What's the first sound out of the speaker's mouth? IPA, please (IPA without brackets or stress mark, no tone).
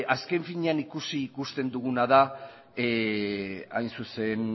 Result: a